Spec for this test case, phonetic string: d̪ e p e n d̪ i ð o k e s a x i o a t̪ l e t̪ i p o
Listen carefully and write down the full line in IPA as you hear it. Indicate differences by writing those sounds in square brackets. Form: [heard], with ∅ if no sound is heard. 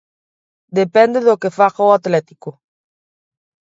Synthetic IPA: d̪ e p e n d̪ [e] ð o k e [f] a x [a] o a t̪ l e t̪ i [k] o